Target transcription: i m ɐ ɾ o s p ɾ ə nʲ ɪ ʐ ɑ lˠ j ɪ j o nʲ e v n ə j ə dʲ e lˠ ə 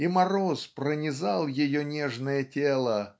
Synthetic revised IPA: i m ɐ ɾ o s p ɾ ə nʲ ɪ z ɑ lˠ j ɪ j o nʲ e ʐ n ə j ə tʲ e lˠ ə